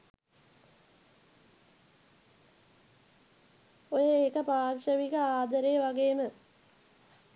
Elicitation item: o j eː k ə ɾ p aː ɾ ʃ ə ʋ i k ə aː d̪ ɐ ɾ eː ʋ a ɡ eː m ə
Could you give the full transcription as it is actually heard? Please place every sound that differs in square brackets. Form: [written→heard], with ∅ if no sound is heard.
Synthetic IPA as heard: o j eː k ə [ɾ→∅] p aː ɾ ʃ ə ʋ i k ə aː d̪ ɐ ɾ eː ʋ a ɡ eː m ə